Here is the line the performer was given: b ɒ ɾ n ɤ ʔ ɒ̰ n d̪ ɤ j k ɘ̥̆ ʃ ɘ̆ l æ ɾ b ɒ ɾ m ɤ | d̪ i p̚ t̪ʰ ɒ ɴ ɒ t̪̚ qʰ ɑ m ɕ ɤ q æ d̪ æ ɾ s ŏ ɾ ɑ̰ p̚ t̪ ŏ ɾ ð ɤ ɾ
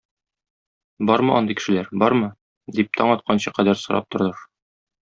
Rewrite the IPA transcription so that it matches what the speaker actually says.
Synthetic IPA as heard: b ɒ ɾ m ɤ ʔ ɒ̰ n d̪ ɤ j k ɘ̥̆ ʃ ɘ̆ l æ ɾ b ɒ ɾ m ɤ | d̪ i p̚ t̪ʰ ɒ ɴ ɒ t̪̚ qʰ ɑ n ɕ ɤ q æ d̪ æ ɾ s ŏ ɾ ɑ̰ p̚ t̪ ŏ ɾ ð ɤ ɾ